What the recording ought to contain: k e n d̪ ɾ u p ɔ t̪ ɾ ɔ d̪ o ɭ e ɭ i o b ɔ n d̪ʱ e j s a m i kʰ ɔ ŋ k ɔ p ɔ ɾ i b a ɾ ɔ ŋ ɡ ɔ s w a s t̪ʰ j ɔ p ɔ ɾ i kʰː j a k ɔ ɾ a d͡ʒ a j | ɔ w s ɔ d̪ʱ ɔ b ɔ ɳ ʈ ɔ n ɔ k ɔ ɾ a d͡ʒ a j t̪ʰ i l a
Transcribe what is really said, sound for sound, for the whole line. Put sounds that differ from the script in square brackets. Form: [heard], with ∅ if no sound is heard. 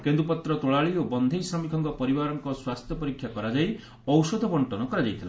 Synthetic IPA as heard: k e n d̪ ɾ u p ɔ t̪ ɾ ɔ [t̪] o ɭ [a] ɭ i o b ɔ n d̪ʱ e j s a m i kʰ ɔ ŋ k ɔ p ɔ ɾ i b a ɾ ɔ ŋ [k] ɔ s w a s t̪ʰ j ɔ p ɔ ɾ i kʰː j a k ɔ ɾ a d͡ʒ a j | ɔ w s ɔ d̪ʱ ɔ b ɔ ɳ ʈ ɔ n ɔ k ɔ ɾ a d͡ʒ a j t̪ʰ i l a